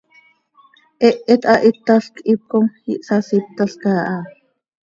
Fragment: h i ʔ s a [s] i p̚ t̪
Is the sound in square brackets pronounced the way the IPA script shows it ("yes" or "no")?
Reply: yes